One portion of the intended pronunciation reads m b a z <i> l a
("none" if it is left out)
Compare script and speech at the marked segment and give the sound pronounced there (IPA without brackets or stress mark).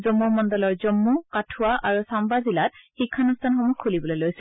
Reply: i